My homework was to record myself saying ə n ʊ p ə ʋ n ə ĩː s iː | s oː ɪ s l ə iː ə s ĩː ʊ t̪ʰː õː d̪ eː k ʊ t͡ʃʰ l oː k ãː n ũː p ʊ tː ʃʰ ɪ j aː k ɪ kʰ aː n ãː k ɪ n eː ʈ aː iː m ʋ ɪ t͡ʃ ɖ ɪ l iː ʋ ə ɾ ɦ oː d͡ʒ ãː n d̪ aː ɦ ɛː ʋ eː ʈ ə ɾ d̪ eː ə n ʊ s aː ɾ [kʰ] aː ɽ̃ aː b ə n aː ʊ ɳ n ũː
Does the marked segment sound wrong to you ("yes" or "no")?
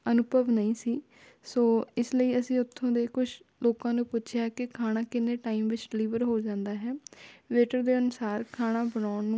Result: no